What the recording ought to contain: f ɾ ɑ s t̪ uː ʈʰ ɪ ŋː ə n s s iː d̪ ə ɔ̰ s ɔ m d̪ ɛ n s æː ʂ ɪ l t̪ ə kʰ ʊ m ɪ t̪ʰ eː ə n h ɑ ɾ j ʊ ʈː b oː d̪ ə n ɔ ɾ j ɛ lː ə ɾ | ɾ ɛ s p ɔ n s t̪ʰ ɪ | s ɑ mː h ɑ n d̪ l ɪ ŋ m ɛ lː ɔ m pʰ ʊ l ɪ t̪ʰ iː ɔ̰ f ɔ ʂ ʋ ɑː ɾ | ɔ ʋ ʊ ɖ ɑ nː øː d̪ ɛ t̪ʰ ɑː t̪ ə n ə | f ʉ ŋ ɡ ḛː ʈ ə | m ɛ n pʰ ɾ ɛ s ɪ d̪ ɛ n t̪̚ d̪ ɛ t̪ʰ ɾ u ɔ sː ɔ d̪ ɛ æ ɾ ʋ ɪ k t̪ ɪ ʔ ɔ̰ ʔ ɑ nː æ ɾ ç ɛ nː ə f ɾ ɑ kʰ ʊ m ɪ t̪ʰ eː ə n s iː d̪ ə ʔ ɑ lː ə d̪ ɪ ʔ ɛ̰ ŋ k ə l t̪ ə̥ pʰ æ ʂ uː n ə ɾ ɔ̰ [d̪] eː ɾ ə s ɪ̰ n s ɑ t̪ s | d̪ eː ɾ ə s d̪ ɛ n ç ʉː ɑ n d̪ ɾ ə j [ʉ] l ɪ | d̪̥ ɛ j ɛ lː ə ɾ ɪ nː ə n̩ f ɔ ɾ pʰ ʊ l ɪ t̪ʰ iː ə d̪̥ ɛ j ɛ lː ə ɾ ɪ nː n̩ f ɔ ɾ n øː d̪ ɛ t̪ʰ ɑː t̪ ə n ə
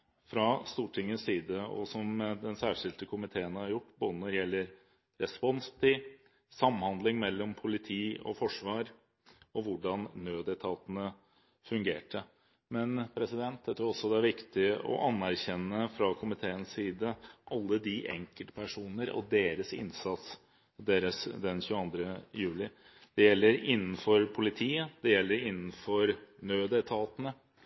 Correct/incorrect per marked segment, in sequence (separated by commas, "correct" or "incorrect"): correct, incorrect